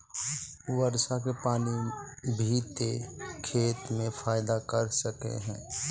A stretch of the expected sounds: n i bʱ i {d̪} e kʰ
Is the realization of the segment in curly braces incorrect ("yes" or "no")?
yes